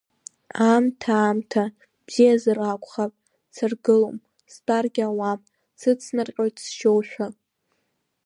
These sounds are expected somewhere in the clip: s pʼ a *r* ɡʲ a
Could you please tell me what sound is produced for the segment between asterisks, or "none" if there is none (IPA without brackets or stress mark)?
r